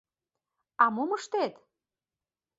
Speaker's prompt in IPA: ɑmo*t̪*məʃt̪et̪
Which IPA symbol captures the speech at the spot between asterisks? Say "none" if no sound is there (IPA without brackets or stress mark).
none